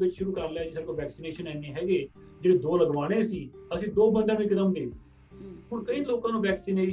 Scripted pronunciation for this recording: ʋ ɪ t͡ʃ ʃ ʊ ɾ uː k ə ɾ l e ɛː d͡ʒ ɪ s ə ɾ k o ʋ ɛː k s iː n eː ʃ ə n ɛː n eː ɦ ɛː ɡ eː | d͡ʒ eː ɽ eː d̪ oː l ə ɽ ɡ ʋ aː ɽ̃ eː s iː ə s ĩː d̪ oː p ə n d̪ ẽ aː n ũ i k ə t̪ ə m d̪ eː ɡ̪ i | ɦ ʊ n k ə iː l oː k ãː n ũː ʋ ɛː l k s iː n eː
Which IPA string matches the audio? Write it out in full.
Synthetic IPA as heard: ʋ ɪ t͡ʃ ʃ ʊ ɾ uː k ə ɾ l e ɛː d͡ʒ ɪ s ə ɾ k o ʋ ɛː k s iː n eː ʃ ə n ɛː n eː ɦ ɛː ɡ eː | d͡ʒ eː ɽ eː d̪ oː l ə ɡ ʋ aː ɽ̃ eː s iː ə s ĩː d̪ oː b ə n d̪ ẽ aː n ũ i k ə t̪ ə m d̪ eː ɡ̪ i | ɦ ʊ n k ə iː l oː k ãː n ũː ʋ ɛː k s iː n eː